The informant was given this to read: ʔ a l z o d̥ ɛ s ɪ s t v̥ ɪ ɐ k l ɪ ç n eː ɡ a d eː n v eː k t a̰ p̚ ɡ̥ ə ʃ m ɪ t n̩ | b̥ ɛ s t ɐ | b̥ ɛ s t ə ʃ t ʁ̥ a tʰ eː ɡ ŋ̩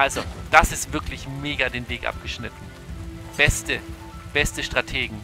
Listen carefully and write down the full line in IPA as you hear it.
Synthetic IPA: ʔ a l z o d̥ a s ɪ s t v̥ ɪ ɐ k l ɪ ç m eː ɡ a d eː n v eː k ʔ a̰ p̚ ɡ̥ ə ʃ n ɪ t n̩ | b̥ ɛ s t ə | b̥ ɛ s t ə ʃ t ʁ̥ a tʰ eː ɡ ŋ̩

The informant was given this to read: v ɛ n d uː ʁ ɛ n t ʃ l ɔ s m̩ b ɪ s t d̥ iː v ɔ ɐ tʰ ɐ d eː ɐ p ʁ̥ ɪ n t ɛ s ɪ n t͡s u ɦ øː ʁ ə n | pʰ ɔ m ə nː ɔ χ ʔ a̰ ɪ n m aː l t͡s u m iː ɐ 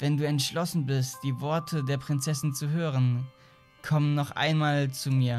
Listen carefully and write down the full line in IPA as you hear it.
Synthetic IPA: v ɛ n d uː ɛ n t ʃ l ɔ s n̩ b ɪ s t d̥ iː v ɔ ɐ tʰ ə d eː ɐ p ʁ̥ ɪ n t͡s ɛ s ɪ n t͡s u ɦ øː ʁ ə n | kʰ ɔ m ə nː ɔ χ ʔ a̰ ɪ n m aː l t͡s u m iː ɐ

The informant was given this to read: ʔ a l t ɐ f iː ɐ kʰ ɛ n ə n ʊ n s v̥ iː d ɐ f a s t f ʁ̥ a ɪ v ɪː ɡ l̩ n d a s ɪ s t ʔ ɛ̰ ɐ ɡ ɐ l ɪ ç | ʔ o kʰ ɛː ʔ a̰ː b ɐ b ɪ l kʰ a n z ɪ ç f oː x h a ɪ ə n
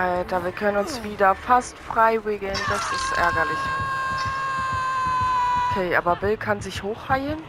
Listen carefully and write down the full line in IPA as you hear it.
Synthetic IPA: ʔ a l t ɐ v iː ɐ kʰ œ n ə n ʊ n s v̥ iː d ɐ f a s t f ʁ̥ a ɪ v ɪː ɡ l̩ n d a s ɪ s t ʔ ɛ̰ ɐ ɡ ɐ l ɪ ç | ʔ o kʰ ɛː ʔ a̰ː b ɐ b ɪ l kʰ a n z ɪ ç h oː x h a ɪ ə n

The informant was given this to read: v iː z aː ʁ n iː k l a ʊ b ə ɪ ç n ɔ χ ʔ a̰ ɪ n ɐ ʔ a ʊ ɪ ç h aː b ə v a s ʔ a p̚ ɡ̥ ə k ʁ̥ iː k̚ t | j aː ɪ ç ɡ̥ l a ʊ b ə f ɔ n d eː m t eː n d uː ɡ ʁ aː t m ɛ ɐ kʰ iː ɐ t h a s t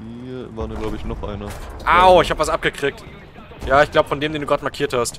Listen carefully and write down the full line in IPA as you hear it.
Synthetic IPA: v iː v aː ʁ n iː ɡ l a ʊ b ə ɪ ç n ɔ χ ʔ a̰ ɪ n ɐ ʔ a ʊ ɪ ç h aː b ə v a s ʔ a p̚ ɡ̥ ə k ʁ̥ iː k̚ t | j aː ɪ ç ɡ̥ l a ʊ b ə f ɔ n d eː m d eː n d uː ɡ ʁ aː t m a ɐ kʰ iː ɐ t h a s t

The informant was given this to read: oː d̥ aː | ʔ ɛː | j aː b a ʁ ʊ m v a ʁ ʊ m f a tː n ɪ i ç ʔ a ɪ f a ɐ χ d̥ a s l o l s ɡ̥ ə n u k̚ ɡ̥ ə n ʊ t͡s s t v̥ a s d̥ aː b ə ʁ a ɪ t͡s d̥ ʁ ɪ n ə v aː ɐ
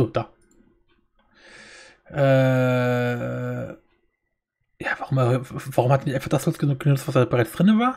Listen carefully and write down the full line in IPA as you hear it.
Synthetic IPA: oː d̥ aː | ʔ ɛː | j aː v a ʁ ʊ m v a ʁ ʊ m h a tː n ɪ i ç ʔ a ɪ f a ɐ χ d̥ a s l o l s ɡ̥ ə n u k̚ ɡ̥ ə n ʊ t͡s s t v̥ a s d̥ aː b ə ʁ a ɪ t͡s d̥ ʁ ɪ n ə v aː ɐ

